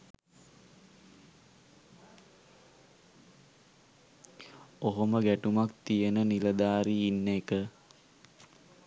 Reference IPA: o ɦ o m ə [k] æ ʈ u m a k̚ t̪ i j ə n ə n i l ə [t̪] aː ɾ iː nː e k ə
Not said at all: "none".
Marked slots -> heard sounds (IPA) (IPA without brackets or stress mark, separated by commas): ɡ, d̪